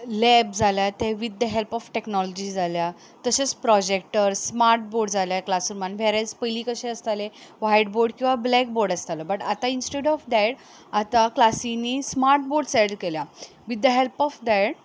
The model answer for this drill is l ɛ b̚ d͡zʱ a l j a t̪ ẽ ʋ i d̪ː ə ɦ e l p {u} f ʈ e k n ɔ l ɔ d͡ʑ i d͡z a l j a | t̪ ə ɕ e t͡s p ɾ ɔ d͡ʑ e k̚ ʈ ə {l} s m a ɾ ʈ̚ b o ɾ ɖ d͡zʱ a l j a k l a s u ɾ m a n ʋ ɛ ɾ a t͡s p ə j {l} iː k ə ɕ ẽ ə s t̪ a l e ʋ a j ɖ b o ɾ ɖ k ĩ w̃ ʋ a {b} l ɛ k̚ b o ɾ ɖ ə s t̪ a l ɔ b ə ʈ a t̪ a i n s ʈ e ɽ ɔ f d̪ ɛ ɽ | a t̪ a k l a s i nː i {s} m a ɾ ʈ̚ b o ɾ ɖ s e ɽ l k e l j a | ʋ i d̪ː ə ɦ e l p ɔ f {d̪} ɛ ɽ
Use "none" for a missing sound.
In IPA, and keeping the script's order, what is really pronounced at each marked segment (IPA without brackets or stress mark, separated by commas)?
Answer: ɔ, ɾ, l, b, s, d̪